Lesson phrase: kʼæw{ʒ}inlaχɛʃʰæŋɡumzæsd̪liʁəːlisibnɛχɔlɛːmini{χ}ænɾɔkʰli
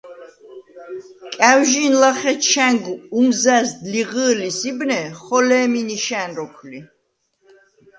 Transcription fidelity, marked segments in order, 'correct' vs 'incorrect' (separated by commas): correct, incorrect